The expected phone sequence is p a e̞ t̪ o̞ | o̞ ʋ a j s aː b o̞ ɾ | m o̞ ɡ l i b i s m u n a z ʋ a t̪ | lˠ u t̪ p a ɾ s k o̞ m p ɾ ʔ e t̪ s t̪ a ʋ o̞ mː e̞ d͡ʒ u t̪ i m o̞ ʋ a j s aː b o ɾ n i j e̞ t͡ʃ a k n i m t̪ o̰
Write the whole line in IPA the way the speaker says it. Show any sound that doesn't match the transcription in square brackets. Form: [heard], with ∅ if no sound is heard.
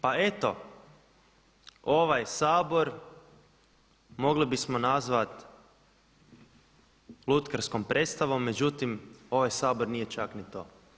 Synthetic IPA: p a e̞ t̪ o̞ | o̞ ʋ a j s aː b o̞ ɾ | m o̞ ɡ l i b i s m [o] n a z ʋ a t̪ | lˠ u t̪ [k] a ɾ s k o̞ m p ɾ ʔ e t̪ s t̪ a ʋ o̞ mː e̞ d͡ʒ u t̪ i m o̞ ʋ a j s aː b o ɾ n i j e̞ t͡ʃ a k n i [∅] t̪ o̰